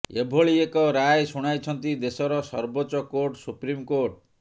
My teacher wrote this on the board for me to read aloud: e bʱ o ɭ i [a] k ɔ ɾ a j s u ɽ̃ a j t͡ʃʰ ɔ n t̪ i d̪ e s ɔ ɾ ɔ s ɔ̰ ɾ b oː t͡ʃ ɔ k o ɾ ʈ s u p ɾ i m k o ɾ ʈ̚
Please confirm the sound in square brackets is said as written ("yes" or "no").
no